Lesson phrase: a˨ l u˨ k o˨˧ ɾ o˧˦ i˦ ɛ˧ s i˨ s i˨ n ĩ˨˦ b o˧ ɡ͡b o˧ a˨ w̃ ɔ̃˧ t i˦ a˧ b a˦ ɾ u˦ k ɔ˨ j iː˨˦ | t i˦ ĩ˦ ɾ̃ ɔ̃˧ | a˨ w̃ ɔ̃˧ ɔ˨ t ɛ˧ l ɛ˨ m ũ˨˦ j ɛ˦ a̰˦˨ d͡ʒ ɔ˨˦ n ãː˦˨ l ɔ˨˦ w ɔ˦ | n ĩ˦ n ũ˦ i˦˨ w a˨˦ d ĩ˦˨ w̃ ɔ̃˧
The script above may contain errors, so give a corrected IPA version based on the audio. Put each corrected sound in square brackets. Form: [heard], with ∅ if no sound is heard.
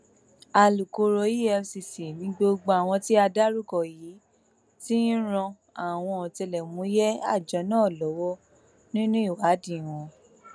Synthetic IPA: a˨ l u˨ k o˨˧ ɾ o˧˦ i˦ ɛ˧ s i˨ s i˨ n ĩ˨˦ [ɡ͡b] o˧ ɡ͡b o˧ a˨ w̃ ɔ̃˧ t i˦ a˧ [d] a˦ ɾ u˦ k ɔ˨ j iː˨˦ | t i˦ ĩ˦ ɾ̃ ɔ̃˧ | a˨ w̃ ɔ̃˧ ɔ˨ t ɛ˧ l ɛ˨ m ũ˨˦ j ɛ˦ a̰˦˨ d͡ʒ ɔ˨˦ n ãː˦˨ l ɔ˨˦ w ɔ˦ | n ĩ˦ n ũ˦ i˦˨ w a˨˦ d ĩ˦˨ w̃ ɔ̃˧